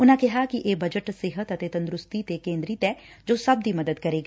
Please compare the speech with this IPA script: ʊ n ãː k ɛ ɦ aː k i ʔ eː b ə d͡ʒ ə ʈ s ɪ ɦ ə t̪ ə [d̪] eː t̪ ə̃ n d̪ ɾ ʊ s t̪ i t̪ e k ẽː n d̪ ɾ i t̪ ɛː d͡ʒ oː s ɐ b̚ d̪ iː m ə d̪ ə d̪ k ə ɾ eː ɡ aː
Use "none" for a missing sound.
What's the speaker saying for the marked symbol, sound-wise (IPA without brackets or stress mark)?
t̪